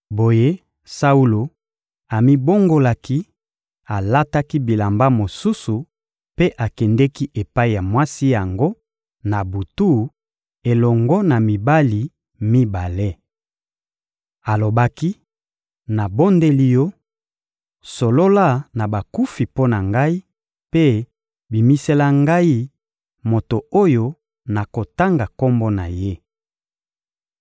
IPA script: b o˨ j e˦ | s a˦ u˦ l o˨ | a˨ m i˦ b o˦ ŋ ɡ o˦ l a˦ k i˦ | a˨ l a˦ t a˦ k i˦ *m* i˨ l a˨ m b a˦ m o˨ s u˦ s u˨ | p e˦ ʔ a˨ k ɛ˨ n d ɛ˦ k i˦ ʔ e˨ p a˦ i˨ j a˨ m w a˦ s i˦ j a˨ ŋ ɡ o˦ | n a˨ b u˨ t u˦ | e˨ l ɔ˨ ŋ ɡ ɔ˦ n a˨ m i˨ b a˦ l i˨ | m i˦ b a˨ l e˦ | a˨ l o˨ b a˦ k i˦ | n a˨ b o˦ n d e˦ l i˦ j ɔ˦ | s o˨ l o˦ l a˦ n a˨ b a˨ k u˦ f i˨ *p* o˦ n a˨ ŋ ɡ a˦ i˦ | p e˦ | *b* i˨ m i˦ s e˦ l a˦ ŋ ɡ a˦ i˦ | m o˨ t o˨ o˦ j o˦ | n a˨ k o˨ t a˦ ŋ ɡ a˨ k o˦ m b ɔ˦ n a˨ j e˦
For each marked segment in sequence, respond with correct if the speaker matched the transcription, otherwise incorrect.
incorrect, correct, correct

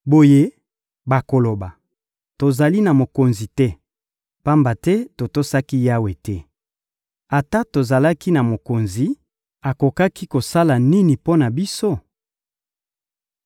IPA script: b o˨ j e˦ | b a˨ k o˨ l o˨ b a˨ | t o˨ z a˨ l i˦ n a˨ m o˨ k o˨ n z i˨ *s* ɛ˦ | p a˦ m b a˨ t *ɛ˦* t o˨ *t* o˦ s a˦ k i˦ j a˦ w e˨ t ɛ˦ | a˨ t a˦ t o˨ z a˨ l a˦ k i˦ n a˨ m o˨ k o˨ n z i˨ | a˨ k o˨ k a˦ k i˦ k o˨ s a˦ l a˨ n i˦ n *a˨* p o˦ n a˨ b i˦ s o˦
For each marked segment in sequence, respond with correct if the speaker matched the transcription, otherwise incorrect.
incorrect, correct, correct, incorrect

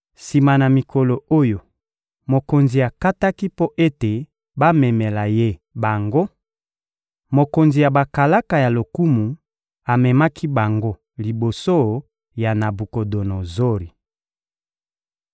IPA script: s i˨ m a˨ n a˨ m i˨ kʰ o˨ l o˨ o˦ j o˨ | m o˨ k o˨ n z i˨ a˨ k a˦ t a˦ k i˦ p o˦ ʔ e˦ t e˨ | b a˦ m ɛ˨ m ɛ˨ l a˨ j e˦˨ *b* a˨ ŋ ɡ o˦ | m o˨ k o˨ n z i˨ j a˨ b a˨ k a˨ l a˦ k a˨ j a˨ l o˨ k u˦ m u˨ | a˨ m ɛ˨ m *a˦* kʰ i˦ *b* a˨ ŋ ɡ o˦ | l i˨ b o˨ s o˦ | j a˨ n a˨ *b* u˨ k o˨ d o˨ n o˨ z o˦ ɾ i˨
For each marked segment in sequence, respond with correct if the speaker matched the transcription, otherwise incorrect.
correct, correct, correct, correct

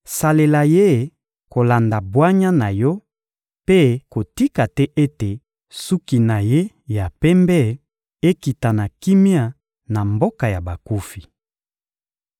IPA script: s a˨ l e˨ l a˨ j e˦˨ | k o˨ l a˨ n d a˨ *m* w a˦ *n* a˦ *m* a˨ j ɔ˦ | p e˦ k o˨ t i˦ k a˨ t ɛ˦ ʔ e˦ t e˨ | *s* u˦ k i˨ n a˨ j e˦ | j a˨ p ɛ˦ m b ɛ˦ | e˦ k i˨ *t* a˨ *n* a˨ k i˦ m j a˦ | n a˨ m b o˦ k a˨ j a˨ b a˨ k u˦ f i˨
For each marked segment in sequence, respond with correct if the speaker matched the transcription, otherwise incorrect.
incorrect, incorrect, incorrect, correct, correct, correct

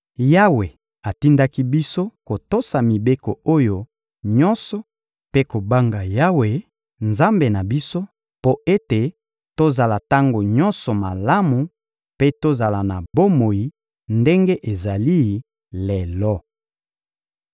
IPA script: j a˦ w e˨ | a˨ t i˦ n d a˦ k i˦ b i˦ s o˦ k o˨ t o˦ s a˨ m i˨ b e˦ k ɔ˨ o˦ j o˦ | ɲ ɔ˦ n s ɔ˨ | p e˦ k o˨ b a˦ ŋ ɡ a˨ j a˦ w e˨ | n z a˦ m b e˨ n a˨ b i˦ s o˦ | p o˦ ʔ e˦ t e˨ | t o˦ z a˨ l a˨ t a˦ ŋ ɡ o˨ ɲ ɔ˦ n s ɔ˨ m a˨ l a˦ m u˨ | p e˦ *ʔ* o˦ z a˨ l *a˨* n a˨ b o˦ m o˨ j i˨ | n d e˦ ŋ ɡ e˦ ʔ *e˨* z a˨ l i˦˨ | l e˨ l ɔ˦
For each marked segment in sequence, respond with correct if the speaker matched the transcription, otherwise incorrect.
incorrect, correct, correct

